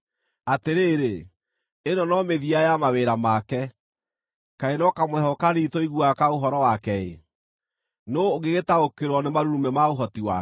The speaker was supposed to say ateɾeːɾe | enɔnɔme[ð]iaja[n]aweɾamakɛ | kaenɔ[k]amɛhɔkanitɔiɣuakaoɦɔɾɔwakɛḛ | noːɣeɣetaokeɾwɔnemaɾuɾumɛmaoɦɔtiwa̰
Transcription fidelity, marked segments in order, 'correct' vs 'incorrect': correct, incorrect, correct

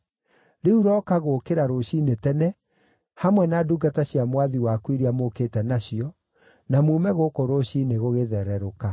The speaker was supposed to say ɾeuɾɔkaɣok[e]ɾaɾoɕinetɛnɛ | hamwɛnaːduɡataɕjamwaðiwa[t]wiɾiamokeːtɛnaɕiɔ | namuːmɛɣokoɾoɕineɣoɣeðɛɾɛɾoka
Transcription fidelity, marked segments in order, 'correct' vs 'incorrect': correct, incorrect

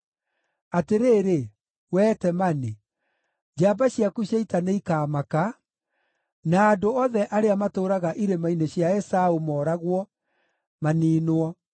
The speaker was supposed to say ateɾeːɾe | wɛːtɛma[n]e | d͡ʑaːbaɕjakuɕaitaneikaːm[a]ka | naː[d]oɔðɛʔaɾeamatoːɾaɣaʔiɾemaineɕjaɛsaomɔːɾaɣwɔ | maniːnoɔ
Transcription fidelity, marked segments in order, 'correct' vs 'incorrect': correct, correct, correct

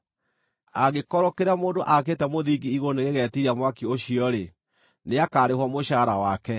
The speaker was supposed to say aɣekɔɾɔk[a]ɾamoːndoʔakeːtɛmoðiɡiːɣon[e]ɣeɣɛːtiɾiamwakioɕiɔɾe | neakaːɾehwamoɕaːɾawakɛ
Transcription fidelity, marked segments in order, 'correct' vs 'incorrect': incorrect, correct

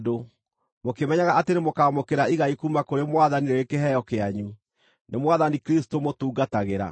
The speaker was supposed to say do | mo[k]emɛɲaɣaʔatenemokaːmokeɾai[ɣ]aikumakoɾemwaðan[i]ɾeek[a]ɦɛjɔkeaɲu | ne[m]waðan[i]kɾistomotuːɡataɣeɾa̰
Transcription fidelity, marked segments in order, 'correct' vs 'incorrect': correct, correct, correct, incorrect, correct, correct

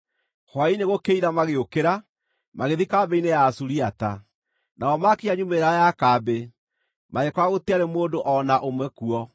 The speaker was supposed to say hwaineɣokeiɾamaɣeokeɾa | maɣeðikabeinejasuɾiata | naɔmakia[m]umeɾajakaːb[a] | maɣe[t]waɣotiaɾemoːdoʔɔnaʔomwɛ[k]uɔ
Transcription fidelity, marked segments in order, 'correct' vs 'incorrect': incorrect, incorrect, incorrect, correct

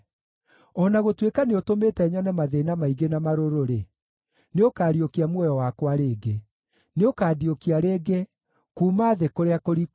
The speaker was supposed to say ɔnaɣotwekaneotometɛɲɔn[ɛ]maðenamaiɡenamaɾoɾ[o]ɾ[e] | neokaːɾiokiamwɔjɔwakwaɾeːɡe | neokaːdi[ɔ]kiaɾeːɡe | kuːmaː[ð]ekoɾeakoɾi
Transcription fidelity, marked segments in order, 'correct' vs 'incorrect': correct, correct, correct, incorrect, correct

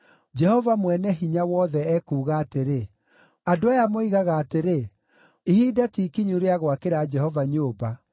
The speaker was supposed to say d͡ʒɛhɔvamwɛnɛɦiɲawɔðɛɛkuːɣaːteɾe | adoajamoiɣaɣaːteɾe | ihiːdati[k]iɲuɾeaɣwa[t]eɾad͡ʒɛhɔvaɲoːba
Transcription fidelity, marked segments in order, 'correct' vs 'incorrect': correct, incorrect

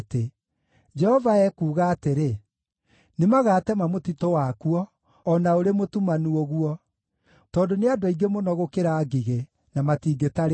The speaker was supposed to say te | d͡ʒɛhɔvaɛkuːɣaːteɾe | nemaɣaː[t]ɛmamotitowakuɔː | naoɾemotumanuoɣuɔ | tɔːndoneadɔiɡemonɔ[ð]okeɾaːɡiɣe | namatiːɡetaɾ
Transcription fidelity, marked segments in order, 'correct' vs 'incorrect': correct, incorrect

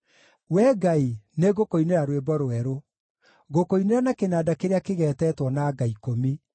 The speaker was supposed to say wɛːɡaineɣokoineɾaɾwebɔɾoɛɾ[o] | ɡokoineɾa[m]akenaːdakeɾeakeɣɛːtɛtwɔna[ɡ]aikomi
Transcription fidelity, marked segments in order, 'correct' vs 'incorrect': correct, incorrect, correct

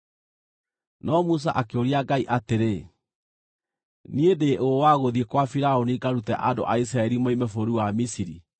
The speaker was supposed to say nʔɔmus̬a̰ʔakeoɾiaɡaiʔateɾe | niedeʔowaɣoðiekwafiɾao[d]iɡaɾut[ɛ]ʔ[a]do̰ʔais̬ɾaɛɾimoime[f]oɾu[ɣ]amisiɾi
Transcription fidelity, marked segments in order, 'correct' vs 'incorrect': incorrect, correct, correct, correct, incorrect

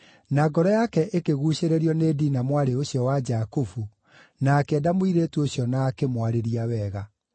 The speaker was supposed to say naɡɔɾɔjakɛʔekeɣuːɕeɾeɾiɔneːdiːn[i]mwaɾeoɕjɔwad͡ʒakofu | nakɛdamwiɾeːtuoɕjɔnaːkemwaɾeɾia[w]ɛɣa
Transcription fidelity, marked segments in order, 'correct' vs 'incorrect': incorrect, correct

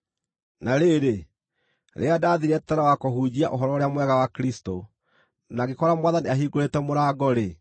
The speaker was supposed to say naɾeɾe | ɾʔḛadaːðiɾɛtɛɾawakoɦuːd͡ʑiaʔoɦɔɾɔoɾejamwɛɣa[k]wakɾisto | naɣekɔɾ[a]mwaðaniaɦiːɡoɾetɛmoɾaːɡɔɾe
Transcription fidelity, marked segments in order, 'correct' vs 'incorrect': incorrect, correct

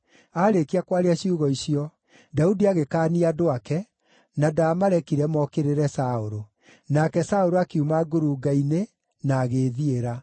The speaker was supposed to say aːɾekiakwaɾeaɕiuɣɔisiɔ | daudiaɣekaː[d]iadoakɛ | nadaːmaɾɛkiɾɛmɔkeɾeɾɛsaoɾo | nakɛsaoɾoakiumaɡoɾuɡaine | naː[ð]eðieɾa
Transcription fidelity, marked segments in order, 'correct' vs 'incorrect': incorrect, incorrect

